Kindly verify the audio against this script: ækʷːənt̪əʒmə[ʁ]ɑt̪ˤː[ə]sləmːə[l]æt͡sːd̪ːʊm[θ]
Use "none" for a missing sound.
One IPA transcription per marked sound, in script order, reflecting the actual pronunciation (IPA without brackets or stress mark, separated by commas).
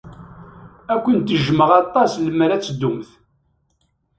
ʁ, ɑ, ɾ, θ